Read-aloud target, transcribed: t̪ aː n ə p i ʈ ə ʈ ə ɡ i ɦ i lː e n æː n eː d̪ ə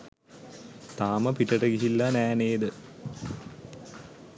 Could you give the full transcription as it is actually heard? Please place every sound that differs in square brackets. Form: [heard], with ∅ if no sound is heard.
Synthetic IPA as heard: t̪ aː [m] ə p i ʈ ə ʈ ə ɡ i ɦ i lː [a] n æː n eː d̪ ə

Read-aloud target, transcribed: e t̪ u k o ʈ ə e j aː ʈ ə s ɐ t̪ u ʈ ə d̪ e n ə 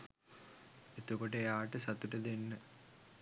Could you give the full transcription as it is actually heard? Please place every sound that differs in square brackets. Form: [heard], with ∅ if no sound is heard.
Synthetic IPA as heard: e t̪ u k o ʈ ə e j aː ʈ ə s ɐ t̪ u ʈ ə d̪ e [nː] ə

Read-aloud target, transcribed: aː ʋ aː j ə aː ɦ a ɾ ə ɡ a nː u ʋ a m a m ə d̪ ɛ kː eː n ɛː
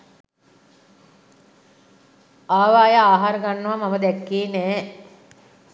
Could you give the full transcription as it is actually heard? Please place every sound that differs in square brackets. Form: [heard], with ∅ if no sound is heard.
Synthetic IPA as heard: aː ʋ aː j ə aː ɦ a ɾ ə ɡ a nː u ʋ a m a m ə d̪ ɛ kː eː n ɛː

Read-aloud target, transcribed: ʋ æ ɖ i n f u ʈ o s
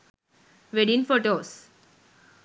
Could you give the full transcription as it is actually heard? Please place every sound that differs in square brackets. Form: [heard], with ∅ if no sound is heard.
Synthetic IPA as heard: ʋ [e] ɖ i n f [o] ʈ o s

